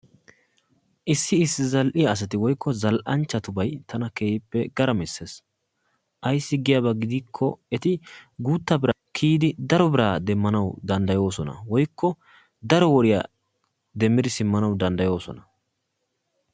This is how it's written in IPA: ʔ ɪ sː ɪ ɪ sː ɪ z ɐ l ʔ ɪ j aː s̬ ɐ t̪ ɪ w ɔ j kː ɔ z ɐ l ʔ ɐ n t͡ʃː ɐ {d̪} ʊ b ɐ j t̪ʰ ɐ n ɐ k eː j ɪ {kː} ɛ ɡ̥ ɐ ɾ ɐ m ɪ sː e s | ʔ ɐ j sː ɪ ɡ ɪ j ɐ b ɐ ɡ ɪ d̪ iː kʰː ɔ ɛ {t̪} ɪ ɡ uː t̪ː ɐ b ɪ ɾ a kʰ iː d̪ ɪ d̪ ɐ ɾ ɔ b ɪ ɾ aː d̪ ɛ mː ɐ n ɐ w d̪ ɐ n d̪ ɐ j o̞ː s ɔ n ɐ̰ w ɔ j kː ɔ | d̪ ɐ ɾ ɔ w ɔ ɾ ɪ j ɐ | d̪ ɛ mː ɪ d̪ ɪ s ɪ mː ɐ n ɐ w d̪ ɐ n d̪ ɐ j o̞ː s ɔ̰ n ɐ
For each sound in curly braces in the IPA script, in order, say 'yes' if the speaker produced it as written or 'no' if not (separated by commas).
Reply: no, no, yes